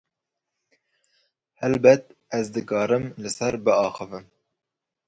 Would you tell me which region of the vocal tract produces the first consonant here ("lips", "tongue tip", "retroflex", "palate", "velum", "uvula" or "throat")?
throat